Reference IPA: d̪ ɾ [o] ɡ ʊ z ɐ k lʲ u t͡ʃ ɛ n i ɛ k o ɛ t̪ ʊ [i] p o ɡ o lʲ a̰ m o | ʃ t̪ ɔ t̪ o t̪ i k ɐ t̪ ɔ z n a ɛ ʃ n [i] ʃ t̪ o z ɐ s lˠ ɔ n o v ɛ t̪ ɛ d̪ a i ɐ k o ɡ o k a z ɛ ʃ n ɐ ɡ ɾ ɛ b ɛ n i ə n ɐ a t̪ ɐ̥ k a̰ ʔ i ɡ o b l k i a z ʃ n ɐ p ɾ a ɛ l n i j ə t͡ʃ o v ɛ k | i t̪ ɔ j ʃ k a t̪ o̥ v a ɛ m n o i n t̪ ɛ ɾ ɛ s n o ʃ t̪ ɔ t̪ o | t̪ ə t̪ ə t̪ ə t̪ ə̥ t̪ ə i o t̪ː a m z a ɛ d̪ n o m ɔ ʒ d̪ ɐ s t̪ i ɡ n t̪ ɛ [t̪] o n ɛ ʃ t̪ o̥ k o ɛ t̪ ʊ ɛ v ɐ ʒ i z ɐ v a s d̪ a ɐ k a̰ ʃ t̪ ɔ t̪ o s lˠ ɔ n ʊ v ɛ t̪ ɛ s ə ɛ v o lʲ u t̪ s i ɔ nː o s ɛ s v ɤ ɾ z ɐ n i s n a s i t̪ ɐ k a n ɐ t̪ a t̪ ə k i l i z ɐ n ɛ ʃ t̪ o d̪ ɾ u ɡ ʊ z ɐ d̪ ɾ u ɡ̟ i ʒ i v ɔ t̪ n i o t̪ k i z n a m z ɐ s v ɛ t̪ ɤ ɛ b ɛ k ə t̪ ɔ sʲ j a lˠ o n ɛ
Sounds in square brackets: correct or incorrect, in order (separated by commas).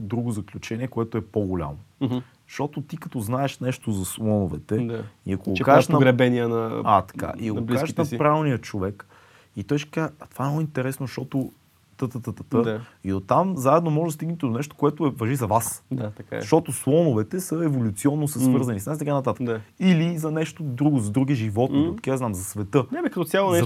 incorrect, incorrect, incorrect, incorrect